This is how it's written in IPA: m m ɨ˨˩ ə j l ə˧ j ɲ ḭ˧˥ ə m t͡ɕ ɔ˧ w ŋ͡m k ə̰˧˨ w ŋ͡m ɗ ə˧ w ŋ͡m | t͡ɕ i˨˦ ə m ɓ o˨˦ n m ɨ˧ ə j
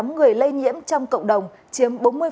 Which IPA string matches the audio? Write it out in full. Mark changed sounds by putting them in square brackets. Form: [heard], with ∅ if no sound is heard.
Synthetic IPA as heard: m [ŋ] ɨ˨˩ ə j l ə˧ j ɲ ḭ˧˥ ə m t͡ɕ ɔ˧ w ŋ͡m k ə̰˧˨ w ŋ͡m ɗ [ə˨˩] w ŋ͡m | t͡ɕ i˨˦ ə m ɓ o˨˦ n m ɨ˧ ə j